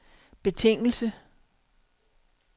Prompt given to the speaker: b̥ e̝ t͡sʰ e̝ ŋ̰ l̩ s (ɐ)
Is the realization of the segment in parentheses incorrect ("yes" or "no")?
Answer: yes